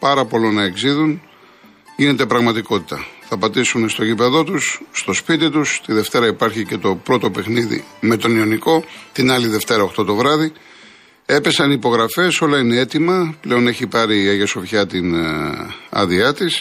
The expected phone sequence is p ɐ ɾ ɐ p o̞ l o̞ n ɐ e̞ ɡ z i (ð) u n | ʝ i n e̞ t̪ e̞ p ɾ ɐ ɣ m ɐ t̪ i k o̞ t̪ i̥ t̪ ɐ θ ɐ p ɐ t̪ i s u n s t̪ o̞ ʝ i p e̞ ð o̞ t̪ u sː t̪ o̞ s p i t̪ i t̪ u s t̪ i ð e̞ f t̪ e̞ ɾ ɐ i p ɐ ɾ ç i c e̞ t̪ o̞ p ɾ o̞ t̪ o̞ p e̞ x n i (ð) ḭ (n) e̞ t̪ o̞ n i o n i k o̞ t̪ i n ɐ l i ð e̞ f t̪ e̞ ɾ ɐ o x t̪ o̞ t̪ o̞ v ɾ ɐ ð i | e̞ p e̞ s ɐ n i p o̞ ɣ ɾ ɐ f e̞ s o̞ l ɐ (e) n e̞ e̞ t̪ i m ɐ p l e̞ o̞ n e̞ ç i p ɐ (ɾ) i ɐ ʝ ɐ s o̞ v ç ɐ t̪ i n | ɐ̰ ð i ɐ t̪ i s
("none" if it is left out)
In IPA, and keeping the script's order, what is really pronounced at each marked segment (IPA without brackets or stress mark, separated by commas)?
ð, ð, m, i, ɾ